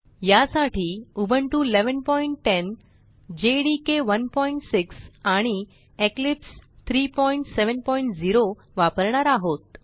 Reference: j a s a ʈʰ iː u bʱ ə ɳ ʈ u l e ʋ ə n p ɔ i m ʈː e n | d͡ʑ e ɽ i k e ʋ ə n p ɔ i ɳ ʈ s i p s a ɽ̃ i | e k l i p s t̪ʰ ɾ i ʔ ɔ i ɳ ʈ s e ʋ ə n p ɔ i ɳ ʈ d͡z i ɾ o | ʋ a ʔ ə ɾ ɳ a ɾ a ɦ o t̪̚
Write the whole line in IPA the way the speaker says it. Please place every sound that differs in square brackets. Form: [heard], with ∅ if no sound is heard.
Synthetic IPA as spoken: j a s a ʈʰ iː u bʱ ə ɳ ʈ u l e ʋ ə n p ɔ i [ɳ] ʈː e n | d͡ʑ e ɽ i k e ʋ ə n p ɔ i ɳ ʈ s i [k] s a ɽ̃ i | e k l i p s t̪ʰ ɾ i [p] ɔ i ɳ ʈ s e ʋ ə n p ɔ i ɳ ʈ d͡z i ɾ o | ʋ a [p] ə ɾ ɳ a ɾ a ɦ o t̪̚

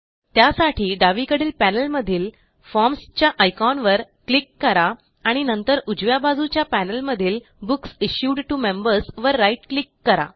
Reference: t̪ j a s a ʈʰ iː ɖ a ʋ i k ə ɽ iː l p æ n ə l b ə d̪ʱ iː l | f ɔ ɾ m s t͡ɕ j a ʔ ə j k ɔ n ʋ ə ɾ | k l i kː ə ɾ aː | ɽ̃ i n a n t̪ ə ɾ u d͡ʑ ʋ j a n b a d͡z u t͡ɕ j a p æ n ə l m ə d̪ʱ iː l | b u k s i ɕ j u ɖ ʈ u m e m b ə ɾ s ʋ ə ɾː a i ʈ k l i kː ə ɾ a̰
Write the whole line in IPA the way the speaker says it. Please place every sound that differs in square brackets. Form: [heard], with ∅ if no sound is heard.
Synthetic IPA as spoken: t̪ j a s a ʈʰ iː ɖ a ʋ i k ə ɽ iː l p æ n ə l [m] ə d̪ʱ iː l | f ɔ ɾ m s t͡ɕ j a ʔ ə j k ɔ n ʋ ə ɾ | k l i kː ə ɾ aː | ɽ̃ i n [ə] n t̪ ə ɾ u d͡ʑ ʋ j a [∅] b a d͡z u t͡ɕ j a p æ n ə l m ə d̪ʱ iː l | b u k s i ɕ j u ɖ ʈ u m e m b ə ɾ s ʋ ə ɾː a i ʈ k l i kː ə ɾ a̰

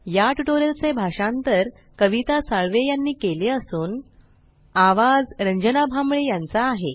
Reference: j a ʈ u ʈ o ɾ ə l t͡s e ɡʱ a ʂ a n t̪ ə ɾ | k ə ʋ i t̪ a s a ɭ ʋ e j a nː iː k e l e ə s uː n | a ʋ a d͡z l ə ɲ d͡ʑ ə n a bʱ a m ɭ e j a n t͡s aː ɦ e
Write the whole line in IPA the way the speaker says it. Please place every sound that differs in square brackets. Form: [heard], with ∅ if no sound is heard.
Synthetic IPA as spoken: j a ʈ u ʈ o ɾ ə l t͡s e [bʱ] a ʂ a n t̪ ə ɾ | k ə ʋ i t̪ a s a ɭ ʋ e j a nː iː k e l e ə s uː n | a ʋ a d͡z [ɾ] ə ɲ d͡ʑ ə n a bʱ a m ɭ e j a n t͡s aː ɦ e

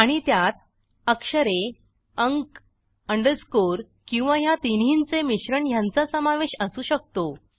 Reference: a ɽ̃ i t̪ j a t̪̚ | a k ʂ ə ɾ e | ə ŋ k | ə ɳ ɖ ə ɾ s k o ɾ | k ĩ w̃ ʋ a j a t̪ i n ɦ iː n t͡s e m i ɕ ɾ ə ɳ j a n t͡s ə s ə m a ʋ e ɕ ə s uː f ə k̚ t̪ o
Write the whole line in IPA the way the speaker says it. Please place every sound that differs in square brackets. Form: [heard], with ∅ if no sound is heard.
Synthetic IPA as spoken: a ɽ̃ i t̪ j a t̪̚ | [ə] k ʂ ə ɾ e | ə ŋ k | ə ɳ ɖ ə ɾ s k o ɾ | k ĩ w̃ ʋ a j a t̪ i n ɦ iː n t͡s e m i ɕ ɾ ə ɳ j a n t͡s [a] s ə m a ʋ e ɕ ə s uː [ɕ] ə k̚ t̪ o

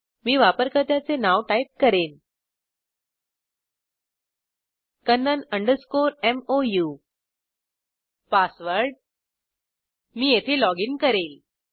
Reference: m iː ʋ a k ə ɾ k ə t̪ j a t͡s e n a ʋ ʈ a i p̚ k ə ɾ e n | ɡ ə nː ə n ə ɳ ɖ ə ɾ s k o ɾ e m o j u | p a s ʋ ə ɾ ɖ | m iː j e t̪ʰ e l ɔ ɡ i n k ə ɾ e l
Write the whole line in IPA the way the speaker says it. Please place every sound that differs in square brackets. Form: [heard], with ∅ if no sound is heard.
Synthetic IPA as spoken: m iː ʋ a [p] ə ɾ k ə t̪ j a t͡s e n a ʋ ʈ a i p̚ k ə ɾ e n | [k] ə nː ə n ə ɳ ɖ ə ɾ s k o ɾ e m o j u | p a s ʋ ə ɾ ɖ | m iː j e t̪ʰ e l ɔ ɡ i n k ə ɾ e l

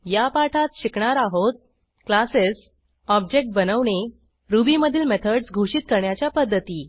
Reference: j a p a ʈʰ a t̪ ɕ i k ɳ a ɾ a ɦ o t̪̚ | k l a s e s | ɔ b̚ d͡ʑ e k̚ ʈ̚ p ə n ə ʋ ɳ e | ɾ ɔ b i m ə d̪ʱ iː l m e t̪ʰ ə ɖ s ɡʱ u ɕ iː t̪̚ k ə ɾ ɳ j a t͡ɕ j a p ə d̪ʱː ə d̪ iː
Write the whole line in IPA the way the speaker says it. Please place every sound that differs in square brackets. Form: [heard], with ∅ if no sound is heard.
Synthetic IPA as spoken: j a p a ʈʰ a t̪ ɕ i k ɳ a ɾ a ɦ o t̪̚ | k l a s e s | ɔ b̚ d͡ʑ e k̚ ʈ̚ [b] ə n ə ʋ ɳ e | ɾ [u] b i m ə d̪ʱ iː l m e t̪ʰ ə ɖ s ɡʱ u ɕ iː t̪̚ k ə ɾ ɳ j a t͡ɕ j a p ə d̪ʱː ə [t̪] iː

